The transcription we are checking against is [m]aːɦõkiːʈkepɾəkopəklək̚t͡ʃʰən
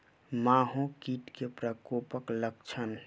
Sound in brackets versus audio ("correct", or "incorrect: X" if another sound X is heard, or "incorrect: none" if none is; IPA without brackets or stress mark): correct